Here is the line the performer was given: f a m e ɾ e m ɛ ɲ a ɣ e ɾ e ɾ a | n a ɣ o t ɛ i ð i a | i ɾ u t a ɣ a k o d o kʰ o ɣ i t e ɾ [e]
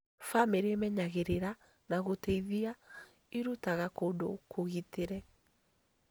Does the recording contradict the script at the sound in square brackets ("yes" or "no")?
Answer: yes